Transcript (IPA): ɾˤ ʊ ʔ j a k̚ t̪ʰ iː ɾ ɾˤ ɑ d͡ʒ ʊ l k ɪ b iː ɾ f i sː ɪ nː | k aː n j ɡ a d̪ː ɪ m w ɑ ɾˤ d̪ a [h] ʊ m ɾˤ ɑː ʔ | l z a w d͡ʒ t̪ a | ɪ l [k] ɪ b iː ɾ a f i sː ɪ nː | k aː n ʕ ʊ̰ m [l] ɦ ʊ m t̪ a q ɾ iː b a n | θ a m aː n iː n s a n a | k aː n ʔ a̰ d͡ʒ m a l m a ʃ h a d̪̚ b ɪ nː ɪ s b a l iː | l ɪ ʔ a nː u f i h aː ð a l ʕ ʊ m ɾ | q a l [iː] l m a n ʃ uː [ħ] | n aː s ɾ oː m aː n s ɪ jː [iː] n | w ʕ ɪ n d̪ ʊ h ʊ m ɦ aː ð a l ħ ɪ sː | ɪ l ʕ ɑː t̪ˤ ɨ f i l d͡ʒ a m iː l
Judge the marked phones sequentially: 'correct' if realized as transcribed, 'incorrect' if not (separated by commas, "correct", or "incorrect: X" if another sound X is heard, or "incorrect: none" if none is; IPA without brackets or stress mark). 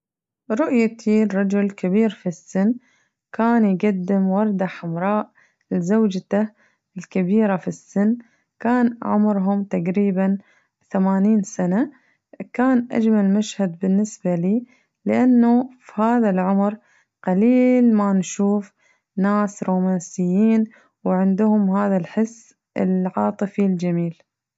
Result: incorrect: ħ, correct, incorrect: ɾ, correct, incorrect: f, correct